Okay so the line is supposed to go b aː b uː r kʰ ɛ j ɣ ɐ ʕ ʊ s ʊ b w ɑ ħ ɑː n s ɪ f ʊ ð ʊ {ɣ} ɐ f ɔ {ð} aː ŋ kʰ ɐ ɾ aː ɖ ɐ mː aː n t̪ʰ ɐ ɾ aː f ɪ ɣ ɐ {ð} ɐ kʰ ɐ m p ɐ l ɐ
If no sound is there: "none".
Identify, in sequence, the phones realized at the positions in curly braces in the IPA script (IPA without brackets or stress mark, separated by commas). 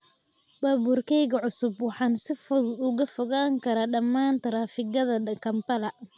ɣ, ɣ, ð